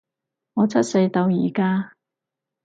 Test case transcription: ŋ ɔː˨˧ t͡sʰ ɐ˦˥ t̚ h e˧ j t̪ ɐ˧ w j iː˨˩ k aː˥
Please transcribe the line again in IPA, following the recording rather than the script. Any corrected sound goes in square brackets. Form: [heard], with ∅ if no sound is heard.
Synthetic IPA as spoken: ŋ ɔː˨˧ t͡sʰ ɐ˦˥ t̚ [s] e˧ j t̪ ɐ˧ w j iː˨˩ k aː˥